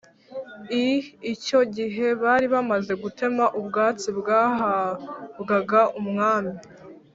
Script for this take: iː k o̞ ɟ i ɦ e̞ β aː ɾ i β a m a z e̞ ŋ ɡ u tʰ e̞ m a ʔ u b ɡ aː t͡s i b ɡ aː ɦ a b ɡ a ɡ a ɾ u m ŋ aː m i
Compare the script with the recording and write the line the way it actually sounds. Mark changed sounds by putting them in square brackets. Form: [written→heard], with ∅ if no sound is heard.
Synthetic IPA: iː [k→c] o̞ ɟ i ɦ e̞ β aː ɾ i β a m a z e̞ [ŋ→∅] ɡ u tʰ e̞ m a ʔ u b ɡ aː t͡s i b ɡ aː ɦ a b ɡ a ɡ a [ɾ→∅] u m ŋ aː m i